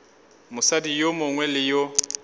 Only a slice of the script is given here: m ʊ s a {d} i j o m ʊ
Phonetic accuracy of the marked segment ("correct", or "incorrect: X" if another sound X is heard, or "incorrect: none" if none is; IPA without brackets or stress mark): correct